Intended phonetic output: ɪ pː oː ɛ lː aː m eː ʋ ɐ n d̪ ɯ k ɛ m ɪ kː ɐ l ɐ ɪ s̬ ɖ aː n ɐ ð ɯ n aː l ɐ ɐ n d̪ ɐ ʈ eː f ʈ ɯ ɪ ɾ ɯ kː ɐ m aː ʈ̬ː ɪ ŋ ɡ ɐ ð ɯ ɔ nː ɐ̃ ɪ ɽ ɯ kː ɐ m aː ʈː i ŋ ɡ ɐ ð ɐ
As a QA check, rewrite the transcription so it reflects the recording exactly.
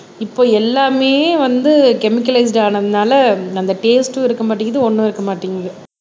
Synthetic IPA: ɪ pː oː ɛ lː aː m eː ʋ ɐ n d̪ ɯ k ɛ m ɪ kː ɐ l ɐ ɪ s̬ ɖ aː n ɐ ð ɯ n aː l ɐ ɐ n d̪ ɐ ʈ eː s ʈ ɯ ɪ ɾ ɯ kː ɐ m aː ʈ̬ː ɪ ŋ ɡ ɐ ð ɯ ɔ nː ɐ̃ ɪ ɾ ɯ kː ɐ m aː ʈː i ŋ ɡ ɐ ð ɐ